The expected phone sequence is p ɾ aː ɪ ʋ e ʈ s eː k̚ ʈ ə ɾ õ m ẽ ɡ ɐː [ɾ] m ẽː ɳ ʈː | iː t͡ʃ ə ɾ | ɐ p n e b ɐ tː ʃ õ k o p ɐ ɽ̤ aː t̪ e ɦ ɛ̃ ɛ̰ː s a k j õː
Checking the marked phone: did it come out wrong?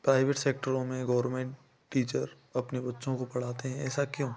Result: no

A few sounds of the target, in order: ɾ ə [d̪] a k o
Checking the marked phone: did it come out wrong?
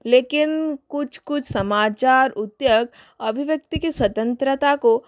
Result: yes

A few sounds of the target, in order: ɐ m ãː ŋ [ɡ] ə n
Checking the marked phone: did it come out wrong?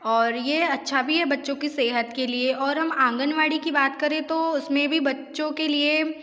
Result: no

